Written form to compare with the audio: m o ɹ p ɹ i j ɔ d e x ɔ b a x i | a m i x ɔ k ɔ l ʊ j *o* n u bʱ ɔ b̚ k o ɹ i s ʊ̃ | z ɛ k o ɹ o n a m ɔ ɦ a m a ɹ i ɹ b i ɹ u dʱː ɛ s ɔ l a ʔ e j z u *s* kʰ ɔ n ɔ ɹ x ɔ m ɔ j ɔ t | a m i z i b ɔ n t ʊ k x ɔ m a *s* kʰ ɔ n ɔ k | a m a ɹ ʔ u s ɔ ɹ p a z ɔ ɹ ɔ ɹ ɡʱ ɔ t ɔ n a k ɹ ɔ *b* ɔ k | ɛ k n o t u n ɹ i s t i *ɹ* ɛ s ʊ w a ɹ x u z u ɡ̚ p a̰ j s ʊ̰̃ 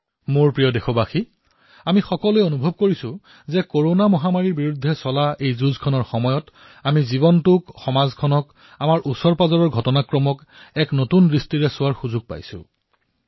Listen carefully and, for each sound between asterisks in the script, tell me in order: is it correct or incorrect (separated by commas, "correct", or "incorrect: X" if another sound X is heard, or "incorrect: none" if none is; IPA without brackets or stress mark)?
correct, incorrect: z, incorrect: z, incorrect: m, correct